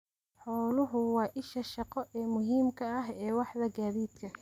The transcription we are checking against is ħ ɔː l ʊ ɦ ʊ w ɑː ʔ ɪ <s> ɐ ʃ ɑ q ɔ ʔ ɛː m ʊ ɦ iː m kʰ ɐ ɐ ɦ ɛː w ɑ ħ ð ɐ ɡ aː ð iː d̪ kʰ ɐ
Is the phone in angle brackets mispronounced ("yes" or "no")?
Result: yes